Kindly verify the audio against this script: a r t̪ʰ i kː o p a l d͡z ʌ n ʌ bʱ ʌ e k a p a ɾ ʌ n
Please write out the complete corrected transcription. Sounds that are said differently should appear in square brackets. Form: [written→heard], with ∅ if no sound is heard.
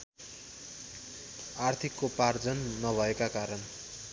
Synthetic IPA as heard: a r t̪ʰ i kː o p a [l→r] d͡z ʌ [n→nː] ʌ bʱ ʌ e k a [p→k] a ɾ ʌ n